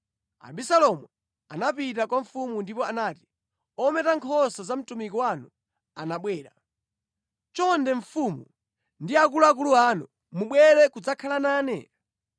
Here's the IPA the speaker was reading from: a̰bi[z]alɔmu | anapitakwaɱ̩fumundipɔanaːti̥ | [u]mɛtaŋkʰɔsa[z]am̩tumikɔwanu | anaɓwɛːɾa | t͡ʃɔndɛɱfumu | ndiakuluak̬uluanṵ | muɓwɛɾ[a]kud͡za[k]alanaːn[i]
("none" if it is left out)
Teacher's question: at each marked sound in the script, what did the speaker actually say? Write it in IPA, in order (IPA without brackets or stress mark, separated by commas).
s, ɔ, z, ɛ, kʰ, ɛ